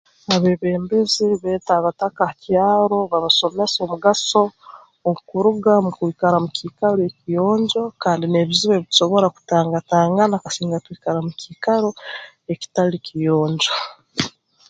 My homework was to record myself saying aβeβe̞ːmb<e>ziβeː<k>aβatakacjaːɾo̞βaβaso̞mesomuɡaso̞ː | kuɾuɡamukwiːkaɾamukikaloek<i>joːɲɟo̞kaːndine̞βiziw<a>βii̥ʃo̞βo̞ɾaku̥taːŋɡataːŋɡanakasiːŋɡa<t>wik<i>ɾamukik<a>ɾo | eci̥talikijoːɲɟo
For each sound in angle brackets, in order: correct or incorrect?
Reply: correct, incorrect: t, correct, incorrect: e, correct, incorrect: a, correct

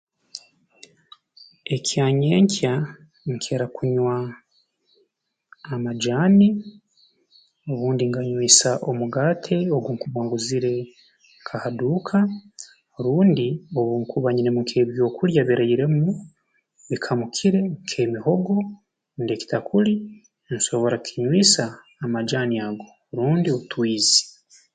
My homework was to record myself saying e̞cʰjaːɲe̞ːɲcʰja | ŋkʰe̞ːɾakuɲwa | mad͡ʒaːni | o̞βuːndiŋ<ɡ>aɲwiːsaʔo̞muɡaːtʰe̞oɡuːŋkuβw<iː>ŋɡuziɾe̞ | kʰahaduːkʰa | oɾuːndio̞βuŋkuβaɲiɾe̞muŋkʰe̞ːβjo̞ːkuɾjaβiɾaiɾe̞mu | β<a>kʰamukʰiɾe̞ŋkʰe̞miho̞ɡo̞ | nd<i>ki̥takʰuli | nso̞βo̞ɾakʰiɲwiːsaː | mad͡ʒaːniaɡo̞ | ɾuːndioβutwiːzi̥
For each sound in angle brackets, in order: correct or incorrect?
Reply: correct, incorrect: aː, incorrect: i, incorrect: e

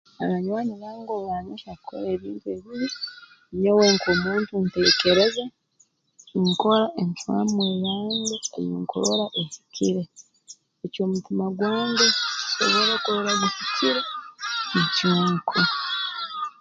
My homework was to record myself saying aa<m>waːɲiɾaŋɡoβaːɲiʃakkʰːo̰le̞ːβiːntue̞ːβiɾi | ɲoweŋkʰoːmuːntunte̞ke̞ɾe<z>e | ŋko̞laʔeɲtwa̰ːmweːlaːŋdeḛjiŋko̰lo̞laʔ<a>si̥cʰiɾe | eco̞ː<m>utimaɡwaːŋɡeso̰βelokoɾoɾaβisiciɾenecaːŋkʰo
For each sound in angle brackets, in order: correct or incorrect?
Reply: incorrect: ɲ, correct, incorrect: e, correct

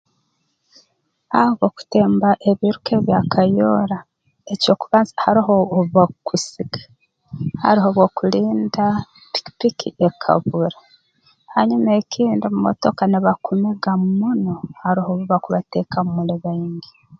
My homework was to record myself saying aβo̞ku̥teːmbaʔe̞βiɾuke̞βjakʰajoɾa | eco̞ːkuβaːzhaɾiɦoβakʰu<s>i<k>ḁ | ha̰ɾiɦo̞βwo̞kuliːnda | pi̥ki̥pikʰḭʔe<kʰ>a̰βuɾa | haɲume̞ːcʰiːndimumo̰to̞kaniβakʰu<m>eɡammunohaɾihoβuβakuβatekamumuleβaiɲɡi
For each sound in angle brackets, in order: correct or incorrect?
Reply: correct, incorrect: ɡ, correct, correct

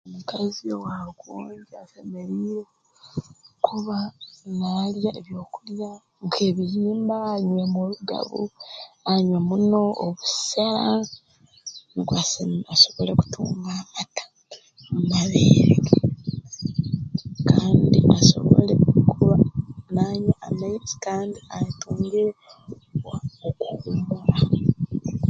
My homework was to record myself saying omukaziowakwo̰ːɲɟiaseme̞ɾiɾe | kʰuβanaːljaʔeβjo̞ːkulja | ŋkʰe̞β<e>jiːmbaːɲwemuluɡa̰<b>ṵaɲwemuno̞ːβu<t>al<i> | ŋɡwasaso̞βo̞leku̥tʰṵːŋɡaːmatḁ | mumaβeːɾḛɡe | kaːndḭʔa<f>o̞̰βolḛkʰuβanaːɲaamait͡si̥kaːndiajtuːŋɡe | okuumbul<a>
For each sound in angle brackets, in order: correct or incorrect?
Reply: incorrect: i, incorrect: β, incorrect: s, incorrect: a, incorrect: s, correct

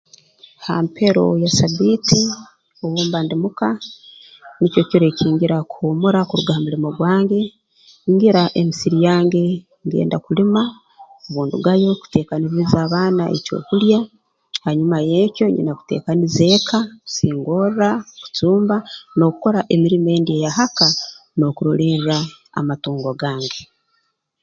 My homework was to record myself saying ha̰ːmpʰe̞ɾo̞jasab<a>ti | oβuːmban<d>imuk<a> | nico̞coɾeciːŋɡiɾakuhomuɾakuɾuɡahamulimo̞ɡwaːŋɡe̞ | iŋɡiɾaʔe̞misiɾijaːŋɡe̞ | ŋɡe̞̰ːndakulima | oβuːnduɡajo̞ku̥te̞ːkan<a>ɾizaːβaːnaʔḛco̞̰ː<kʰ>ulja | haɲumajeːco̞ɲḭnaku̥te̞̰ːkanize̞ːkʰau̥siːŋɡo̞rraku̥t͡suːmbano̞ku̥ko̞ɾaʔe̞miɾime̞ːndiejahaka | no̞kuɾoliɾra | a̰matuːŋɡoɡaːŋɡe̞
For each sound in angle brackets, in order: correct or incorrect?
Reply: incorrect: i, correct, correct, incorrect: i, incorrect: k

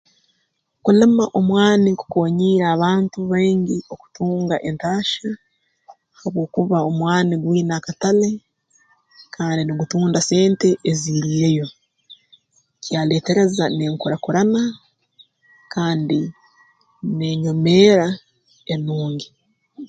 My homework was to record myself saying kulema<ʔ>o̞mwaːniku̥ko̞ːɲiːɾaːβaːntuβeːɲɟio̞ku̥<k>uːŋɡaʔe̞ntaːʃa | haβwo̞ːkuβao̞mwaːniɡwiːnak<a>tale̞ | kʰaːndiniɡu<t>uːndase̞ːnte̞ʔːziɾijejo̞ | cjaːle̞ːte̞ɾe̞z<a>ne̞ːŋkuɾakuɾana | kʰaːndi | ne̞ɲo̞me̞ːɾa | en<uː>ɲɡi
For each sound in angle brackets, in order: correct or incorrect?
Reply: correct, incorrect: t, correct, correct, correct, correct

